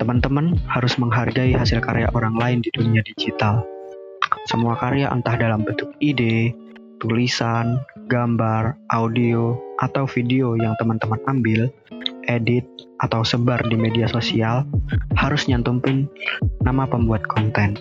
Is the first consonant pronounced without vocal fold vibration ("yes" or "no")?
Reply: yes